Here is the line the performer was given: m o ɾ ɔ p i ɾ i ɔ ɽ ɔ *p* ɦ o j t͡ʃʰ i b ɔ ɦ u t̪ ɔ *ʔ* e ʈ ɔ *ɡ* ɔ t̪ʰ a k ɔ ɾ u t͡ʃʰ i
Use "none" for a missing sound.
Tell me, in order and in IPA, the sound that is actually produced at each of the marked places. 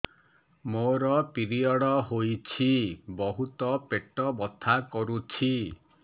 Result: none, p, b

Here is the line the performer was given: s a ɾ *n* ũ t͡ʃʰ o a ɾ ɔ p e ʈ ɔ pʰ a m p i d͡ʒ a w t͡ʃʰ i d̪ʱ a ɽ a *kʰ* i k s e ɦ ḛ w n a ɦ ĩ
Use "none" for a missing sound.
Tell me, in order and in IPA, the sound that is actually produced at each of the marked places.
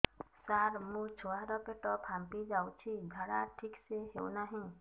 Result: m, ʈʰ

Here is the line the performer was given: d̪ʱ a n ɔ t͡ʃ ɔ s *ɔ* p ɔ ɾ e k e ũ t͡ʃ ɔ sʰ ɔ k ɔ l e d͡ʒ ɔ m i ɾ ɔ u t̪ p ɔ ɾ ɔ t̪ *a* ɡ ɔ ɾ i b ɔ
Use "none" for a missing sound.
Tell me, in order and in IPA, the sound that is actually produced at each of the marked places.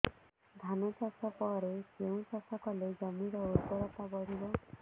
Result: ɔ, a

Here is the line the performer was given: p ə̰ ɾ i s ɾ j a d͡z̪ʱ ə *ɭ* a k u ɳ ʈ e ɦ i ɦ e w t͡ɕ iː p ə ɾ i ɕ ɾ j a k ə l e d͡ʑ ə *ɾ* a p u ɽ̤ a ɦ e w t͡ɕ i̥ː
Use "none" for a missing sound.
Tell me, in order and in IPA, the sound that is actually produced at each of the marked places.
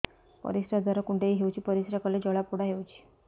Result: ɾ, ɭ

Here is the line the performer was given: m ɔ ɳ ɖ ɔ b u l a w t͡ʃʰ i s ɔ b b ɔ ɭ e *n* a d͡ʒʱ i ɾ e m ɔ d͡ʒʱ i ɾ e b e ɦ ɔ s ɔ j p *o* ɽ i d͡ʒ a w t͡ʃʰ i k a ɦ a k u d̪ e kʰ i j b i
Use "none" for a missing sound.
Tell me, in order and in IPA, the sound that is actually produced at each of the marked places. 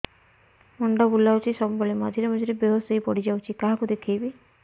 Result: m, ɔ

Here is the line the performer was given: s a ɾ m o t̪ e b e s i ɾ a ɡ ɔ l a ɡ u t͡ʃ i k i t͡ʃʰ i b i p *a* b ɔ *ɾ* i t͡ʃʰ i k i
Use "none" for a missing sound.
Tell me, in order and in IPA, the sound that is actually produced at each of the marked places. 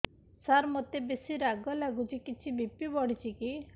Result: i, ɽ

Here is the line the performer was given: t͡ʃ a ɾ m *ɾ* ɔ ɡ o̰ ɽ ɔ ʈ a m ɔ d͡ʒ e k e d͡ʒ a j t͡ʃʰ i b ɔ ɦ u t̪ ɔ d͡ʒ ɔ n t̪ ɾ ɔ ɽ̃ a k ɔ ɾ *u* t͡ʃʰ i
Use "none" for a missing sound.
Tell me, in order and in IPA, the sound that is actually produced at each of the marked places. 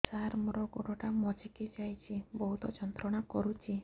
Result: ɾ, u

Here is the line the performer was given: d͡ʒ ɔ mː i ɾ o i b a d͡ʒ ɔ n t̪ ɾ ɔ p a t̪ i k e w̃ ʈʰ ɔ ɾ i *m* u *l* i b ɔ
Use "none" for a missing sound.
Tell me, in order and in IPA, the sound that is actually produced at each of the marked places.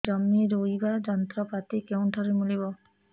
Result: m, l

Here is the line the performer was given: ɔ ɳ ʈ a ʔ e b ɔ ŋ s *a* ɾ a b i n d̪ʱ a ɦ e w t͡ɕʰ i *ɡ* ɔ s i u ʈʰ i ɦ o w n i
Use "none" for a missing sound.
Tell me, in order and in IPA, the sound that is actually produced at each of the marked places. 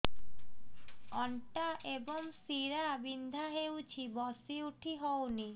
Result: i, b

